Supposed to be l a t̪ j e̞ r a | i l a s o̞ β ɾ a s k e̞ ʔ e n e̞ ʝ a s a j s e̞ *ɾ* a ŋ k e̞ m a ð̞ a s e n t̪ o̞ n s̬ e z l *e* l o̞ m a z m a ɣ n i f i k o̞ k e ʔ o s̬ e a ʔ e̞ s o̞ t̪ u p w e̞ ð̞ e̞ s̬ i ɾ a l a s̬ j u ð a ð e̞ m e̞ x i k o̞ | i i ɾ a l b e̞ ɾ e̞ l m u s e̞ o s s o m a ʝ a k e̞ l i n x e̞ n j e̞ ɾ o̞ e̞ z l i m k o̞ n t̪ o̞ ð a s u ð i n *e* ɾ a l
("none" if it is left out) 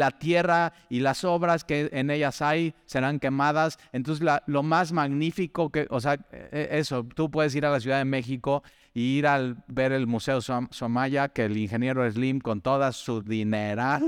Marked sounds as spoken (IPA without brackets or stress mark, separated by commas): ɾ, a, e